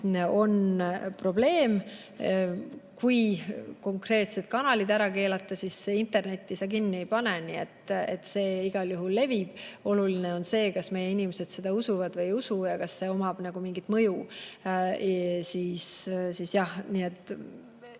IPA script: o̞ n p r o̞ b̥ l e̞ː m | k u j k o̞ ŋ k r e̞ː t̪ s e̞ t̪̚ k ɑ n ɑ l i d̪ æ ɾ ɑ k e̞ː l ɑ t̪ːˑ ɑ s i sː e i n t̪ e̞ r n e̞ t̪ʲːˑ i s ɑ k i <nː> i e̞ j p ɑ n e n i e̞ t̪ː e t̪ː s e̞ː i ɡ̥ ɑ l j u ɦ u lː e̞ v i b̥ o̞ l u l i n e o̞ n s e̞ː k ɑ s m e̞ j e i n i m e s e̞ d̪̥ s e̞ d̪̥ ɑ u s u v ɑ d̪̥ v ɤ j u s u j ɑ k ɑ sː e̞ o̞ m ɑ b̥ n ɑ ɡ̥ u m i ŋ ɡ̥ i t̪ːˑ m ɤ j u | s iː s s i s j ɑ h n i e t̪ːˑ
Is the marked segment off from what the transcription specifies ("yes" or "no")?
no